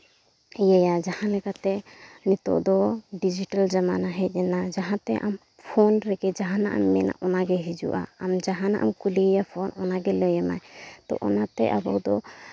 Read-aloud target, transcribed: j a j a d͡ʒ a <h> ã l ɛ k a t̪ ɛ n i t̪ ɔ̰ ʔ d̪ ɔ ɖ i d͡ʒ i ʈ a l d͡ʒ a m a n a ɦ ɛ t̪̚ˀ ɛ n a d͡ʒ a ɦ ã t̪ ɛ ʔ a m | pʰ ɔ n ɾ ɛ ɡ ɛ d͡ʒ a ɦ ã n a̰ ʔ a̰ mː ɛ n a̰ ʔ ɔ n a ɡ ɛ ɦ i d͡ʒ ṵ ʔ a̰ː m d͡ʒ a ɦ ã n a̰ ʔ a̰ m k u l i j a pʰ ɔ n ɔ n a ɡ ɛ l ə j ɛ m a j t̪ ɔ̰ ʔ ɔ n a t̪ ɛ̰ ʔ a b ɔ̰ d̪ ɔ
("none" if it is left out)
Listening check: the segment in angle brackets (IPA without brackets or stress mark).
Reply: h